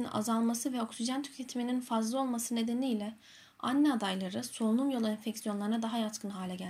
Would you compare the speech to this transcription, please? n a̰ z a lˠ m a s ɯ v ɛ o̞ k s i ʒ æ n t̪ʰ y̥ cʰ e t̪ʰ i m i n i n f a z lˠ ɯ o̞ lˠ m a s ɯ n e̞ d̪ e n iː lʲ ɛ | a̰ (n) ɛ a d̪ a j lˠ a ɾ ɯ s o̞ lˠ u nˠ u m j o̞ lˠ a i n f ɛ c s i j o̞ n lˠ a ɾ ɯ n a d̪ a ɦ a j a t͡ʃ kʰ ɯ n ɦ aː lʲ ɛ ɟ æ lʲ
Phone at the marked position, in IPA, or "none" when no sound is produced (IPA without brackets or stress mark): nː